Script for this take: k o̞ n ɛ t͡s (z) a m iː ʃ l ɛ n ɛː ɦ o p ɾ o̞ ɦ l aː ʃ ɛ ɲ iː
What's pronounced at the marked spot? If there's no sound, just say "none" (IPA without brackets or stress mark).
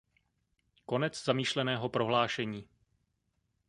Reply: z